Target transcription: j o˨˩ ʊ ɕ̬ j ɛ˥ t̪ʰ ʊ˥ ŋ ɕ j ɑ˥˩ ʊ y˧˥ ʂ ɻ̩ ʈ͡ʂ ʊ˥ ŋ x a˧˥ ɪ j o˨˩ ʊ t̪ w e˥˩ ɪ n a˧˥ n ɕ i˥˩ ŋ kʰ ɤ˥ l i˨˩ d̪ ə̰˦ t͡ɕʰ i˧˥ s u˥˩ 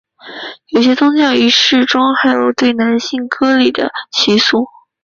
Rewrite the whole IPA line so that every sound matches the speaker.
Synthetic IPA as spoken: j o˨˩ ʊ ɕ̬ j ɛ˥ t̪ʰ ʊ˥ ŋ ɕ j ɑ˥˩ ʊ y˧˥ ʂ ɻ̩ ʈ͡ʂ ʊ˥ ŋ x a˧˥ ɪ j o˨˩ ʊ t̪ w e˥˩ ɪ n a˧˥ n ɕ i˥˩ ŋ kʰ ɤ˥ l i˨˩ d̪ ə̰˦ t͡ɕʰ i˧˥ s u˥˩